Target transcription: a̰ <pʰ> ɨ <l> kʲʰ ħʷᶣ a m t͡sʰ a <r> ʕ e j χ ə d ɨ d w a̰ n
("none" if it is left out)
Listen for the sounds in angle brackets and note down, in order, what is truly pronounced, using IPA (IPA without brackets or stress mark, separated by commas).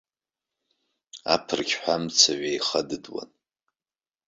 pʰ, r, none